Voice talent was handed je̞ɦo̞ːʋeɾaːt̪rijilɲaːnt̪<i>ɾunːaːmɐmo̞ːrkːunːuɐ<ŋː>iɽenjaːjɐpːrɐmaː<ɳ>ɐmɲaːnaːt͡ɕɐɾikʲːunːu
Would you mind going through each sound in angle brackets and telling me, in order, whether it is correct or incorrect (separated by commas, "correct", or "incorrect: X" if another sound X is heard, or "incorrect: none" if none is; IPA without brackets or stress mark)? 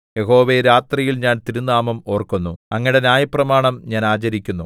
correct, correct, correct